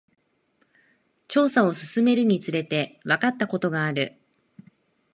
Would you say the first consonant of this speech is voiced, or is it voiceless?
voiceless